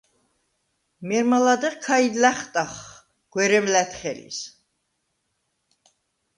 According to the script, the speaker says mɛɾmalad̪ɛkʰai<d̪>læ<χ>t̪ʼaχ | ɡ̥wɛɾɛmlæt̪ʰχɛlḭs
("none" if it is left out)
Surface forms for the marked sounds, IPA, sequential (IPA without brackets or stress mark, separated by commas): d̪, χ